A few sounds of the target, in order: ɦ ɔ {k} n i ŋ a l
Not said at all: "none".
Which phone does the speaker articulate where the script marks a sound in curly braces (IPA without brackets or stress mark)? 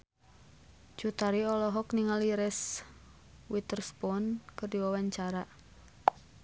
k